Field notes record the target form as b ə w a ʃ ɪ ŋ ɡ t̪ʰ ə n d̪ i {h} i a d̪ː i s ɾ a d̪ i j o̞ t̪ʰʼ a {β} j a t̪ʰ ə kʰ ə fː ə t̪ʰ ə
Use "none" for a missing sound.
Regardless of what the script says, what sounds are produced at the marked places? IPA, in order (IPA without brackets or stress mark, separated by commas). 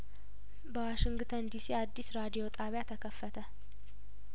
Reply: s, β